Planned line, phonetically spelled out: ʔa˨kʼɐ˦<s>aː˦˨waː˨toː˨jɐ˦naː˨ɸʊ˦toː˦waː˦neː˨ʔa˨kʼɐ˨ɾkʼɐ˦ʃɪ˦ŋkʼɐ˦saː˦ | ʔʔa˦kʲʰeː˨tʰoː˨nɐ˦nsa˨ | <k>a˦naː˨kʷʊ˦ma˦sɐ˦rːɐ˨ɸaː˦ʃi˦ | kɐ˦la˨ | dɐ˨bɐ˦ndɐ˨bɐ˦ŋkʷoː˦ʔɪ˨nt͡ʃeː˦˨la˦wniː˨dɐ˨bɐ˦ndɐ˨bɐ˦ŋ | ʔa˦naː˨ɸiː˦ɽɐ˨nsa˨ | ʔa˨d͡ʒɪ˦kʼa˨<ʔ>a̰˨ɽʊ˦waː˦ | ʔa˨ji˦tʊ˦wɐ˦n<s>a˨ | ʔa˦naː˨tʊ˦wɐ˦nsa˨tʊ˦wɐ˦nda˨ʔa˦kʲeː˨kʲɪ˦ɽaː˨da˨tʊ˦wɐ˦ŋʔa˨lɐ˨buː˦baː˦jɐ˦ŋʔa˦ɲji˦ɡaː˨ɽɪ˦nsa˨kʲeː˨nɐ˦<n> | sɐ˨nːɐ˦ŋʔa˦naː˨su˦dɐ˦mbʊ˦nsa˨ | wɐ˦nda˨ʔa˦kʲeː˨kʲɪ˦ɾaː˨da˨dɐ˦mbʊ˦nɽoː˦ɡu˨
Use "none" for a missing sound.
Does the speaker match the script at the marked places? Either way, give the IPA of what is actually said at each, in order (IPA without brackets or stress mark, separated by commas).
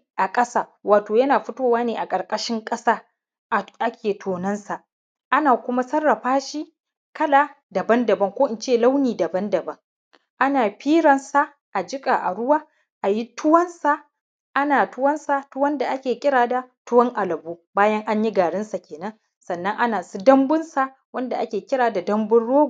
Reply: s, ʔ, ʔ, s, ŋ